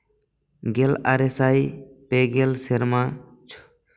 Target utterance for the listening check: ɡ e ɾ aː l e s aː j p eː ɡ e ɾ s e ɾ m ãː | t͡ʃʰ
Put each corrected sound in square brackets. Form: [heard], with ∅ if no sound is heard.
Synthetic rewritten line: ɡ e [l] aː [ɾ] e s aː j p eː ɡ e [l] s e ɾ m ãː | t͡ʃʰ